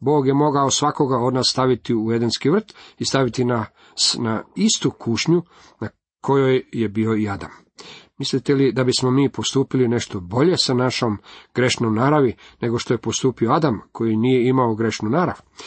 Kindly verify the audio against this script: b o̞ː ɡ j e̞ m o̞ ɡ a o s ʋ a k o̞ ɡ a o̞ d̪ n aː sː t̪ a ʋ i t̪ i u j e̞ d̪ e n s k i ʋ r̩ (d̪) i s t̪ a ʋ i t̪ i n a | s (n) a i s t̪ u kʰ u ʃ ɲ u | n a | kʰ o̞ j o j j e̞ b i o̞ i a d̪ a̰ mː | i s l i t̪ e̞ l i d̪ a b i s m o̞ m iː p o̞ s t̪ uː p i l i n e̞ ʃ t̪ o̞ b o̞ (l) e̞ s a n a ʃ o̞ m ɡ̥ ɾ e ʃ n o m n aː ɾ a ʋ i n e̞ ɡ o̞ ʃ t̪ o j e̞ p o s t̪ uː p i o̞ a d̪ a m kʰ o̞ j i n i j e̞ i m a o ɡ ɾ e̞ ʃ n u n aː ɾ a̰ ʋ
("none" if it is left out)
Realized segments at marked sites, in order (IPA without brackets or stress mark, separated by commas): t̪, n, ʎ